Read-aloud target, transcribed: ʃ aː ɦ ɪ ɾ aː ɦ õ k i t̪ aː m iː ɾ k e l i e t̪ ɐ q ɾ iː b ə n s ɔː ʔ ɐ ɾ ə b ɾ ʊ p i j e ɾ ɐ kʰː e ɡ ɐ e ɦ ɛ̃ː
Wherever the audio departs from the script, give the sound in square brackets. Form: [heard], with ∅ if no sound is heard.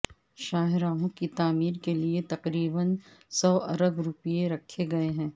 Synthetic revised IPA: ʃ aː ɦ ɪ ɾ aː ɦ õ k i t̪ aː m iː ɾ k e l i e t̪ ɐ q ɾ iː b ə n s ɔː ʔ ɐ ɾ ə b ɾ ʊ p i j e ɾ ɐ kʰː e ɡ ɐ e ɦ ɛ̃ː